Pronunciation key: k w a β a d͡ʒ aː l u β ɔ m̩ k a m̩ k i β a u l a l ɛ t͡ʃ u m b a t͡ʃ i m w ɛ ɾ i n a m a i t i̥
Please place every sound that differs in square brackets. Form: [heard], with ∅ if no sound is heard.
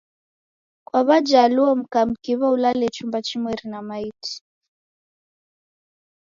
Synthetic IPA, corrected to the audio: k w a β a d͡ʒ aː l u [∅] ɔ m̩ k a m̩ k i β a u l a l ɛ t͡ʃ u m b a t͡ʃ i m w ɛ ɾ i n a m a i t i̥